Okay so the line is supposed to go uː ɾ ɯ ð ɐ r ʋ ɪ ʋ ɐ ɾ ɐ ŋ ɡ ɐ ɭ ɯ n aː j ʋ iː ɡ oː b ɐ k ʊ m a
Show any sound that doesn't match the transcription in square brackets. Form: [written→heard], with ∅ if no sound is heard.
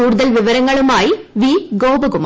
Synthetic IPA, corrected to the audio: uː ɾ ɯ ð ɐ [r→l] ʋ ɪ ʋ ɐ ɾ ɐ ŋ ɡ ɐ ɭ ɯ [n→m] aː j ʋ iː ɡ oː b ɐ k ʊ m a

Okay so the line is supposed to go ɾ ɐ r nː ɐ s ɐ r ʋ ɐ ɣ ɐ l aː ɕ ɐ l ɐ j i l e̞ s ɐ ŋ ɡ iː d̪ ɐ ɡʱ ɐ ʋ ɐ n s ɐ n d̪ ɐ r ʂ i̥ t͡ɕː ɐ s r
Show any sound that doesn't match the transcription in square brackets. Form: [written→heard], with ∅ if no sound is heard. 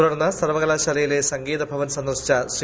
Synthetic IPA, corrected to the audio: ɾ ɐ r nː ɐ s ɐ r ʋ ɐ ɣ ɐ l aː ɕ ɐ l ɐ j i l e̞ s ɐ ŋ ɡ iː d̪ ɐ [ɡʱ→bʱ] ɐ ʋ ɐ n s ɐ n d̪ ɐ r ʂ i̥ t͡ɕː ɐ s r

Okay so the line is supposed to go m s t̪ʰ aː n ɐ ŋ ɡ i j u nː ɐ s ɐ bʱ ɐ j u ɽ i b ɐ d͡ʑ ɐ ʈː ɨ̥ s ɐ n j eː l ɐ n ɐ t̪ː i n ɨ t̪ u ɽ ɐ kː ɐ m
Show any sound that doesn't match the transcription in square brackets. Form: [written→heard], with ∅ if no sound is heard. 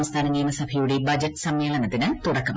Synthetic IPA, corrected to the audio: m s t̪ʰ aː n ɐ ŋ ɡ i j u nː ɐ s ɐ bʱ ɐ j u ɽ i b ɐ d͡ʑ ɐ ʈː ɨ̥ s ɐ [n→m] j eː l ɐ n ɐ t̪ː i n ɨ t̪ u ɽ ɐ kː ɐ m

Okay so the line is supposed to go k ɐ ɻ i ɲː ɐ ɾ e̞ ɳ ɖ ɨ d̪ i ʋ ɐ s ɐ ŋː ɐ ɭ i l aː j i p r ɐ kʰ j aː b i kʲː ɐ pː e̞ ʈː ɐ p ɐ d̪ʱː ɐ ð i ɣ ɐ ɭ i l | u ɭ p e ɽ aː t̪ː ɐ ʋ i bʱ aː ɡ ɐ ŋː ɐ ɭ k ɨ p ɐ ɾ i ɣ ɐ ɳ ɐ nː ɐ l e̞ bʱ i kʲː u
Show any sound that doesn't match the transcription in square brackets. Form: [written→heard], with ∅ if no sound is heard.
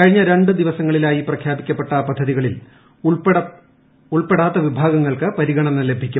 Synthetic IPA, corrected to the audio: k ɐ ɻ i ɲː ɐ ɾ e̞ ɳ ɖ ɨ d̪ i ʋ ɐ s ɐ ŋː ɐ ɭ i l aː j i p r ɐ kʰ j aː b i kʲː ɐ pː e̞ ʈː ɐ p ɐ d̪ʱː ɐ ð i ɣ ɐ ɭ i l | u ɭ p e ɽ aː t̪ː ɐ ʋ i bʱ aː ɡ ɐ ŋː ɐ ɭ k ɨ p ɐ ɾ i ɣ ɐ ɳ ɐ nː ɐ l e̞ bʱ i kʲː u

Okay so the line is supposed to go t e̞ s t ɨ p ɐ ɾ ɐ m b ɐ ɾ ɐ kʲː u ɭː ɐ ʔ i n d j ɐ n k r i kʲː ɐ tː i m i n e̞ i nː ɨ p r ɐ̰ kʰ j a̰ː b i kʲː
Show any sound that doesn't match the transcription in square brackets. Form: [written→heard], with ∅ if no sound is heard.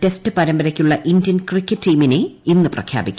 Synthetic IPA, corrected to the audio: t e̞ s t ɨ p ɐ ɾ ɐ m b ɐ ɾ ɐ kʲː u ɭː ɐ ʔ i n d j ɐ n k r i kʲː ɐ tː [i→iː] m i n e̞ i nː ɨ p r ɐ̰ kʰ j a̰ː b i kʲː

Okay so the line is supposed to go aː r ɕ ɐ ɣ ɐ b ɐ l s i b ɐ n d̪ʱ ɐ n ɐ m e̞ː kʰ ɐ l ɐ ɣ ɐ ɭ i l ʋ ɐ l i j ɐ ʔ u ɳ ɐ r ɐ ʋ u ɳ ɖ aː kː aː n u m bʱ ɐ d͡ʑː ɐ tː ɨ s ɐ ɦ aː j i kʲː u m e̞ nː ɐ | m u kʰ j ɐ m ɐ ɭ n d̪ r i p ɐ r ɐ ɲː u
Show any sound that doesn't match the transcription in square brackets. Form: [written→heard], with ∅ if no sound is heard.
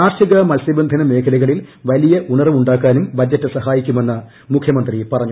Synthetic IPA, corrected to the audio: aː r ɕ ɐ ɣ ɐ [b→m] ɐ l s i b ɐ n d̪ʱ ɐ n ɐ m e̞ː kʰ ɐ l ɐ ɣ ɐ ɭ i l ʋ ɐ l i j ɐ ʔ u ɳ ɐ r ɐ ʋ u ɳ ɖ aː kː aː n u m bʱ ɐ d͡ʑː ɐ tː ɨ s ɐ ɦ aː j i kʲː u m e̞ nː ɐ | m u kʰ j ɐ m ɐ [ɭ→∅] n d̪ r i p ɐ r ɐ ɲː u

